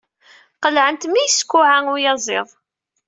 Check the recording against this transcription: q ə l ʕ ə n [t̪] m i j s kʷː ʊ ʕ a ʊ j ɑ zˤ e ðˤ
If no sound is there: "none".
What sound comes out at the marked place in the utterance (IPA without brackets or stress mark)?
t̪